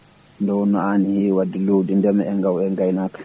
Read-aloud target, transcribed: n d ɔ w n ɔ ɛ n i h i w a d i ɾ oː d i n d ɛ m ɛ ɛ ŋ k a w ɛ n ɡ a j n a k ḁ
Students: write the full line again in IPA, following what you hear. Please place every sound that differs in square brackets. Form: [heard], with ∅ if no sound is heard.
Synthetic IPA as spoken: n d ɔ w n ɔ [a] n i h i w a d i [l] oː d i n d ɛ m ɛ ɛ ŋ [ɡ] a w ɛ [ŋ] ɡ a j n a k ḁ

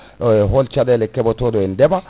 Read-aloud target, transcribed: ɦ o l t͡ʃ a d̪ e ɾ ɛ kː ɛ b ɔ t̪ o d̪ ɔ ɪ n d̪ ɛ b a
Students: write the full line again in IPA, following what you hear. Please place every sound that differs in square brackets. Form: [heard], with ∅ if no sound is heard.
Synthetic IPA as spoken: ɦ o l t͡ʃ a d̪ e [l] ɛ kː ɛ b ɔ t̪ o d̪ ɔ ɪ n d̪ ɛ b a

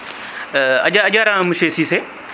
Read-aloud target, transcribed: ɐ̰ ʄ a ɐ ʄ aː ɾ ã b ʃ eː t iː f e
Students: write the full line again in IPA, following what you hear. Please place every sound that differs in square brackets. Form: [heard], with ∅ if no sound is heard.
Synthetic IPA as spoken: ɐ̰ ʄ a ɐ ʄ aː ɾ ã [m] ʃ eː [s] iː [s] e

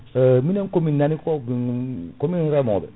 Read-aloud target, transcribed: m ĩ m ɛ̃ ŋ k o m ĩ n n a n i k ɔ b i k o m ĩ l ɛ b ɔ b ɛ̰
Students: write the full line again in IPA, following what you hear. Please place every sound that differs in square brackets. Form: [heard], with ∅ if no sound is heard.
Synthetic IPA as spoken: m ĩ [n] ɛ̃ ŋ k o m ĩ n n a n i k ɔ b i k o m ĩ [ɾ] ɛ [m] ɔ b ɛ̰

